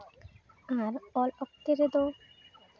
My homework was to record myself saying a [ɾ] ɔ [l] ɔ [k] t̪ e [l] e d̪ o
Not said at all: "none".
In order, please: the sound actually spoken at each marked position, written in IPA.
ɾ, l, k, ɾ

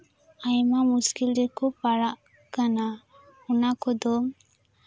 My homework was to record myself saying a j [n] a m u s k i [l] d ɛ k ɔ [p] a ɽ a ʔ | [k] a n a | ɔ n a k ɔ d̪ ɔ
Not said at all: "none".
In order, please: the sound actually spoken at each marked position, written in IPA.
m, l, p, k

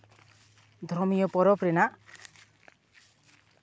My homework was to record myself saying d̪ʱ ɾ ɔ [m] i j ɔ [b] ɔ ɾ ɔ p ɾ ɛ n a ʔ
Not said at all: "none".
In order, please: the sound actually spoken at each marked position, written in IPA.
m, p

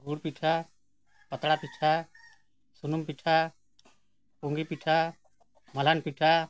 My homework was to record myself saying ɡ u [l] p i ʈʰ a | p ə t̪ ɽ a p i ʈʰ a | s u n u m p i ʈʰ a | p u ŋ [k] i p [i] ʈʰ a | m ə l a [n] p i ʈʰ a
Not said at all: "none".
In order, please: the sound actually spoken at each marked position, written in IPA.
ɽ, ɡ, i, n

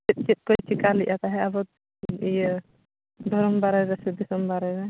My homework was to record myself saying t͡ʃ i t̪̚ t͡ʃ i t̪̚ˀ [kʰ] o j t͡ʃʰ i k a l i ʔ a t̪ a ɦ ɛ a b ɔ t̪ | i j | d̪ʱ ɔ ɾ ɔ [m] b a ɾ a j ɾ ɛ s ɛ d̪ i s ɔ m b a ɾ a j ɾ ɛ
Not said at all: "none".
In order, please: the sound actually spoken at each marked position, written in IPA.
k, m

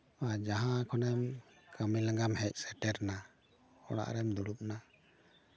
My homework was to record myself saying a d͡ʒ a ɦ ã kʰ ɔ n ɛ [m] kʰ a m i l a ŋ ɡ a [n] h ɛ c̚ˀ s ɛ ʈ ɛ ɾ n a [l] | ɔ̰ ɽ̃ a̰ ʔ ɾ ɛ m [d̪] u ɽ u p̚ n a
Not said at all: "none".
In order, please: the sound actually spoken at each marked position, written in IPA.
m, m, none, d̪

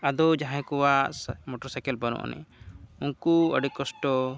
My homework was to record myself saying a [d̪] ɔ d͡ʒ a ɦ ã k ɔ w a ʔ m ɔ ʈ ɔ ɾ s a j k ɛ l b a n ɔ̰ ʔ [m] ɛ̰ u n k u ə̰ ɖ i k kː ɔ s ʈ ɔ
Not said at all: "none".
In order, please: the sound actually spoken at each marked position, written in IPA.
d̪, n

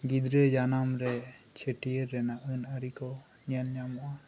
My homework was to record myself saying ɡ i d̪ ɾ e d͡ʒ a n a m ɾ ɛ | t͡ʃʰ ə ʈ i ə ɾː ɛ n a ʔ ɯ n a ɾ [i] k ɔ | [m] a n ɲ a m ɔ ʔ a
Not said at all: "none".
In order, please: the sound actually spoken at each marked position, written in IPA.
i, ɲ

